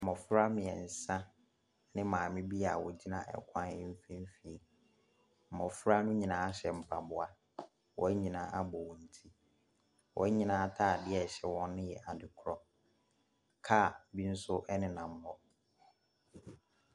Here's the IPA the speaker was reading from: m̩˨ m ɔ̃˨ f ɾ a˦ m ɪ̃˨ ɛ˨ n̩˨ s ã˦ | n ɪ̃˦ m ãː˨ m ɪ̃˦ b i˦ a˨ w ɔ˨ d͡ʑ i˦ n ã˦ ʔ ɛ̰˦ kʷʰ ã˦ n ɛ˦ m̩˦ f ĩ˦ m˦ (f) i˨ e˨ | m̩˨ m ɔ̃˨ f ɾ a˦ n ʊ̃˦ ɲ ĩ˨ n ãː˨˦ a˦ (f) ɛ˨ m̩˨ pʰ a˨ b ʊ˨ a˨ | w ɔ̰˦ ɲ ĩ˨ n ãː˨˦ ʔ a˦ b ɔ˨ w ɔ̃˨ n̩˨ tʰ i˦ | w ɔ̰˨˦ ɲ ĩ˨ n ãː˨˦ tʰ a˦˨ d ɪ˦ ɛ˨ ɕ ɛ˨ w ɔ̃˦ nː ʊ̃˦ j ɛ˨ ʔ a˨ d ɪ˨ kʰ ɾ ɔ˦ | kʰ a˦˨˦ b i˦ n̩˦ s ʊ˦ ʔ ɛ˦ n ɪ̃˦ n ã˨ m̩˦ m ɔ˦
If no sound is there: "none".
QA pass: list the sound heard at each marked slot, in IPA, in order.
f, ɕ

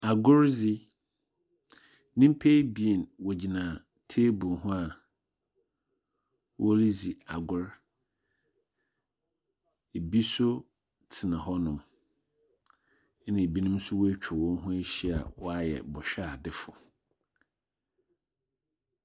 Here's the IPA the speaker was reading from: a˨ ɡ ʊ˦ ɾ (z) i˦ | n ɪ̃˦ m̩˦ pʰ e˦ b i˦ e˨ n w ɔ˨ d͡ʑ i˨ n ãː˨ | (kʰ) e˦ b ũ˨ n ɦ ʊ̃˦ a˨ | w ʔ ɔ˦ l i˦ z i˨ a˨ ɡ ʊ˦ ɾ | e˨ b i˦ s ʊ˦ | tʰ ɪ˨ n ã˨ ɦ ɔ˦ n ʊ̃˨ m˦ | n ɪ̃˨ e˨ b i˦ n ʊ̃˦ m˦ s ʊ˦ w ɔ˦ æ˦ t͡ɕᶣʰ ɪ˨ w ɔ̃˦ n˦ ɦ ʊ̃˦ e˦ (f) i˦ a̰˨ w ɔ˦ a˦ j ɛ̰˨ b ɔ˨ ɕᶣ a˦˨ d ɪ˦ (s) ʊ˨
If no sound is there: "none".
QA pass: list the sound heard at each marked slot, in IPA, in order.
z, tʰ, ɕ, f

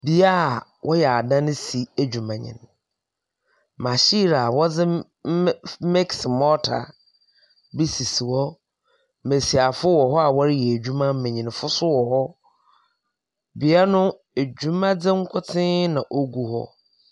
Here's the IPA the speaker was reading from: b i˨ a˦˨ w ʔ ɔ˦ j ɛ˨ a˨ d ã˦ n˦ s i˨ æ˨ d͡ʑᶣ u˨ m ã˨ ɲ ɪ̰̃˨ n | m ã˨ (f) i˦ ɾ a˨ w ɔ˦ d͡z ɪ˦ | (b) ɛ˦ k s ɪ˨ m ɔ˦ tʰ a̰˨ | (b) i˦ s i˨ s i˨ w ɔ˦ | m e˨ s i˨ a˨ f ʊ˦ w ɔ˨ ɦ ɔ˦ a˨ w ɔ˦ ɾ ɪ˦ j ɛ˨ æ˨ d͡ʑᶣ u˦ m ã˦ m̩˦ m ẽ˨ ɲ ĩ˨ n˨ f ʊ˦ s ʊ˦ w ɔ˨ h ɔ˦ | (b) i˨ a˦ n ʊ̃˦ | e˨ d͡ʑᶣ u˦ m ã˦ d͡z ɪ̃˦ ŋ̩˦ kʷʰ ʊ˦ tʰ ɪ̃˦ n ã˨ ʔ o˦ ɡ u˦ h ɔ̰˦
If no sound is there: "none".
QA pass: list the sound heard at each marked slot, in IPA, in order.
ɕ, m, b, b

